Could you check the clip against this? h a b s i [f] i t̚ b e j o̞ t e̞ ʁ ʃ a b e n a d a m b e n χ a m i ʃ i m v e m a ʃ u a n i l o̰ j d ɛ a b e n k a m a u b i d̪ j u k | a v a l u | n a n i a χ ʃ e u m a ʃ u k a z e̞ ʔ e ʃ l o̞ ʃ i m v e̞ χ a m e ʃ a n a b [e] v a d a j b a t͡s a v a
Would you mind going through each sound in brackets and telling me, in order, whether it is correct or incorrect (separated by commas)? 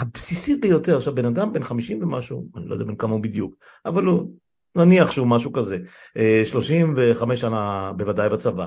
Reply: incorrect, correct